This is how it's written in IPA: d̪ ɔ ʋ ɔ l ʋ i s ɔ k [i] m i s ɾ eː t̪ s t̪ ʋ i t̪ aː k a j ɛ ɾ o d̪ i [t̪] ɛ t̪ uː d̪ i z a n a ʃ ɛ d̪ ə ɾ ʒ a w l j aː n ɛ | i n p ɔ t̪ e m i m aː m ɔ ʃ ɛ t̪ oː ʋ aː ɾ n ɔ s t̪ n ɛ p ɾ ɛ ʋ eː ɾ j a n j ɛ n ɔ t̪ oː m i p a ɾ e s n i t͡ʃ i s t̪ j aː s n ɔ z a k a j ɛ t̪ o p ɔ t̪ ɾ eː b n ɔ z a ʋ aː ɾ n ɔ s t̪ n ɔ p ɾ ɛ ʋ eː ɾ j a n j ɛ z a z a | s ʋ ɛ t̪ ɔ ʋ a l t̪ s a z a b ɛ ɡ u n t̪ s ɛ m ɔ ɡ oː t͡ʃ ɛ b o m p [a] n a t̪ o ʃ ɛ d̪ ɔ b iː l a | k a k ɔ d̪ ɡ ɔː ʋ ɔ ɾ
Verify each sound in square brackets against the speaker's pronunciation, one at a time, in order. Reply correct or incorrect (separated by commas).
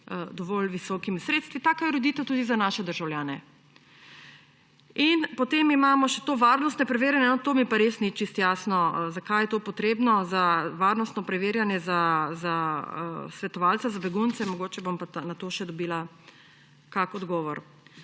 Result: correct, correct, correct